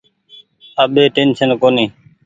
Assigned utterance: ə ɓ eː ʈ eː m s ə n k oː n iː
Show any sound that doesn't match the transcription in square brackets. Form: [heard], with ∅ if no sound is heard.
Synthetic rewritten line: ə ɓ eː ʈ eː [n] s ə n k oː n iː